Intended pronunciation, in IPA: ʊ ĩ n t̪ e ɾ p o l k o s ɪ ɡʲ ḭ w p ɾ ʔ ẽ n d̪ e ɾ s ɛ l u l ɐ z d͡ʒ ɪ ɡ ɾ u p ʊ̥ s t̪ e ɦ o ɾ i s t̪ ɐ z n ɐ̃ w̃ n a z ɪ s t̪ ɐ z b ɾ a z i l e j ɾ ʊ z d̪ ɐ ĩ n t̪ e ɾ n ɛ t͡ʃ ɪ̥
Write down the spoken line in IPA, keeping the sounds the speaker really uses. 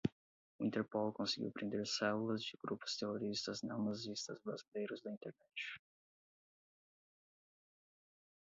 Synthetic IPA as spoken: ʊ ĩ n t̪ e ɾ p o l k õ s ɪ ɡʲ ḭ w p ɾ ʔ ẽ n d̪ e ɾ s ɛ l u l ɐ z d͡ʒ ɪ ɡ ɾ u p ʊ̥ s t̪ e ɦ o ɾ i s t̪ ɐ z n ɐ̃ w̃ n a z i s t̪ ɐ z b ɾ a z i l e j ɾ ʊ z d̪ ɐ ĩ n t̪ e ɾ n ɛ t͡ʃ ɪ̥

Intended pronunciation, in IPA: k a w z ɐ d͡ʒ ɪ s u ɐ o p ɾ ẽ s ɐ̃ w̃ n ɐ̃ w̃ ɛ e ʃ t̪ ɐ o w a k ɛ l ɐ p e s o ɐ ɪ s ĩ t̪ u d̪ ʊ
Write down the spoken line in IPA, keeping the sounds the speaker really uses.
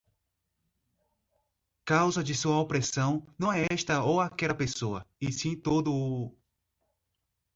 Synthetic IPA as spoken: k a w z ɐ d͡ʒ ɪ s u ɐ o p ɾ e s ɐ̃ w̃ n ɐ̃ w̃ ɛ ɛ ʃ t̪ ɐ o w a k ɛ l ɐ p e s o ɐ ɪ s ĩ t̪ o d̪ ʊ

